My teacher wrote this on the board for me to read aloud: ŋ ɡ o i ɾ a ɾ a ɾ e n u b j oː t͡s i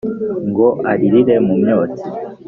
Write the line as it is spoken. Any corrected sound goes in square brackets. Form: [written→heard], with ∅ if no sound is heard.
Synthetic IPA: ŋ ɡ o [i→a] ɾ [a→i] ɾ [a→i] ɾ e [n→m] u [b→m] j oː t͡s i